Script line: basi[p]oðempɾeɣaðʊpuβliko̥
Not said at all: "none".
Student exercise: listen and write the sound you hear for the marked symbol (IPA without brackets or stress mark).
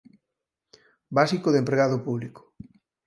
k